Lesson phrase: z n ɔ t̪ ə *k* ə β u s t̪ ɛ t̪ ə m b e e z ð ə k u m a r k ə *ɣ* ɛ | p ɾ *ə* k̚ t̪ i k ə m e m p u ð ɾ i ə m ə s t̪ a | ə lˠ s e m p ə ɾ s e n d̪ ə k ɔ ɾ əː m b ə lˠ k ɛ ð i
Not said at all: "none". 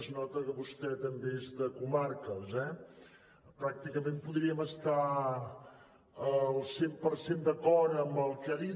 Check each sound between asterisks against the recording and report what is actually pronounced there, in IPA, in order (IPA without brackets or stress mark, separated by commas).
k, z, a